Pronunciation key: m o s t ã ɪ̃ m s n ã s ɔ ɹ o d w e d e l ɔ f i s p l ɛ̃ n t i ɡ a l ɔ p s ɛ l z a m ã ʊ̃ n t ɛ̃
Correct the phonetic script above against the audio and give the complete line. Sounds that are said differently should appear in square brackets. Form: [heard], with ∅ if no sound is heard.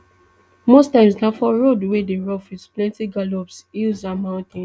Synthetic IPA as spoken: m o s t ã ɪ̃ m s n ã [f] ɔ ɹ o d w e d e [ɹ] ɔ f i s p l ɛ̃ n t i ɡ a l ɔ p s [i] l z a m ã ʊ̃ n t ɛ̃